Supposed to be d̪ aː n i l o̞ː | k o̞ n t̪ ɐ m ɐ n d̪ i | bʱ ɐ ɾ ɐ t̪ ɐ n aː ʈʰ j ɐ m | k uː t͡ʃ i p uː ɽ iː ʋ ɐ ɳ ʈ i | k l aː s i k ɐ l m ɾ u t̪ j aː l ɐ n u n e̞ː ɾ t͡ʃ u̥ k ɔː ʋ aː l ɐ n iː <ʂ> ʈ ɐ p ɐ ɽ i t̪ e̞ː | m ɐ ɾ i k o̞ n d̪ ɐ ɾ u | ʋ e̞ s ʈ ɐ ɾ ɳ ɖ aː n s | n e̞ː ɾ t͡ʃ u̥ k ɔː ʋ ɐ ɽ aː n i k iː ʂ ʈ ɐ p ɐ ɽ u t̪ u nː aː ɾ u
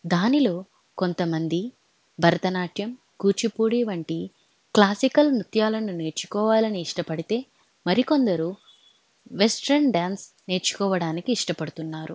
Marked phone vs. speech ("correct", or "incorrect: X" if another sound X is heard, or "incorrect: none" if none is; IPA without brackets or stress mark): correct